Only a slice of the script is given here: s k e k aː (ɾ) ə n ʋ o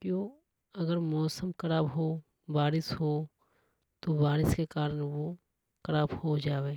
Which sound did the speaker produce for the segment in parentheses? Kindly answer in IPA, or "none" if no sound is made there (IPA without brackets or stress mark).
ɾ